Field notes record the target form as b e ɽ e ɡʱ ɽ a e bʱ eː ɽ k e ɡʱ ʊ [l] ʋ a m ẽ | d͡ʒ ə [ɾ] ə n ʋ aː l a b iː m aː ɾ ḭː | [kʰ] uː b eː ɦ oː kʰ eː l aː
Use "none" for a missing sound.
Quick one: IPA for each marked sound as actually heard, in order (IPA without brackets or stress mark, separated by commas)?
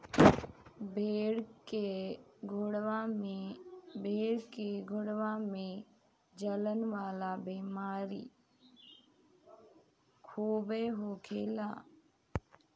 ɽ, l, kʰ